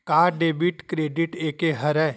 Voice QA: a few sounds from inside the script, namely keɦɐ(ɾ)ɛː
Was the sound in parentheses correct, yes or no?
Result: yes